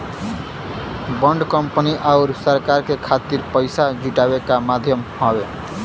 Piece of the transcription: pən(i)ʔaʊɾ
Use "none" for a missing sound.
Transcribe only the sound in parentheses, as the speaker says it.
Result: i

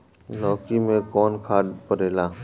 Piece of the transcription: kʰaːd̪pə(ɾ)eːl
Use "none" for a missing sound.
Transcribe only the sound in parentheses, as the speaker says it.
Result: ɾ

